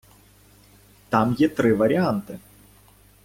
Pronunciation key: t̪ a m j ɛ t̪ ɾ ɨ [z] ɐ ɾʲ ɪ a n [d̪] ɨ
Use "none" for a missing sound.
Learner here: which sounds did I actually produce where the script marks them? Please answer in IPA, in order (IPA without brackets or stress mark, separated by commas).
v, t̪